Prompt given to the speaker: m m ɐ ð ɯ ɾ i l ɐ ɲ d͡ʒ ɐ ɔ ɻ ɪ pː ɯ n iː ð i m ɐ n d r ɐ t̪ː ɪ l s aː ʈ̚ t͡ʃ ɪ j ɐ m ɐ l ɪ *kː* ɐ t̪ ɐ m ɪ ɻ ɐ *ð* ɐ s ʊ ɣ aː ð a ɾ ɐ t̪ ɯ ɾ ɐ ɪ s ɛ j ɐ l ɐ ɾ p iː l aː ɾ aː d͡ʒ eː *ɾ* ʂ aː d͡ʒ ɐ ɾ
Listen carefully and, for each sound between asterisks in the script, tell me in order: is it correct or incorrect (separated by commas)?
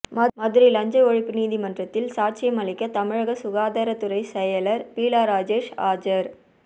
correct, incorrect, incorrect